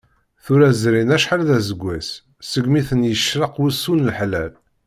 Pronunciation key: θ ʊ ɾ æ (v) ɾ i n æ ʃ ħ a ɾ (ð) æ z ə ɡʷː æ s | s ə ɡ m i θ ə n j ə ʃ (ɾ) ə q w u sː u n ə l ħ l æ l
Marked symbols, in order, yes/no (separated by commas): no, yes, yes